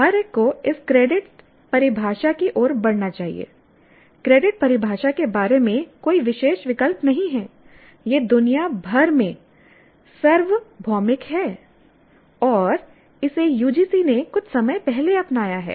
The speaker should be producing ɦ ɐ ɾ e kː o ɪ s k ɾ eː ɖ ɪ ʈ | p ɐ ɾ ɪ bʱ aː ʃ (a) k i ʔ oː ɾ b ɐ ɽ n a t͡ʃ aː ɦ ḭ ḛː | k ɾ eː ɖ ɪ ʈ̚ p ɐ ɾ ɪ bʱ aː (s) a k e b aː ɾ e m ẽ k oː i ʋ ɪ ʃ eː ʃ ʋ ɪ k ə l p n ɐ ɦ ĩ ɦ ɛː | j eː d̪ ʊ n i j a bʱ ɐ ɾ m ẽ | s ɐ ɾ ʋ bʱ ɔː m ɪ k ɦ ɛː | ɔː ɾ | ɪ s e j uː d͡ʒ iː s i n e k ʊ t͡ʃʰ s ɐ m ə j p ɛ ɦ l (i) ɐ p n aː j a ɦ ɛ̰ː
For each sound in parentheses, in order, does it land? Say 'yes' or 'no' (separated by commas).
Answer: yes, no, no